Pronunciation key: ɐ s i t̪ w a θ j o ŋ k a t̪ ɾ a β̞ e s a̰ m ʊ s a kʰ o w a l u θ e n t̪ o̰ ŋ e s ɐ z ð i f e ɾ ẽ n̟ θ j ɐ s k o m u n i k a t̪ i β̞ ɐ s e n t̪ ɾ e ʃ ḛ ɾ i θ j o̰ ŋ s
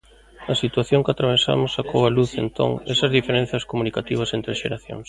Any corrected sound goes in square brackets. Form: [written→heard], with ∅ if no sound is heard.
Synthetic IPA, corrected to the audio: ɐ s i t̪ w a θ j o ŋ k a t̪ ɾ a β̞ e s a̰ m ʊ s a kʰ o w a l u θ e n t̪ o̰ ŋ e s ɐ z ð i f e ɾ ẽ n̟ θ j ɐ s k o m u n i k a t̪ i β̞ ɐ s e n t̪ ɾ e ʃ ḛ ɾ [i→a] θ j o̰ ŋ s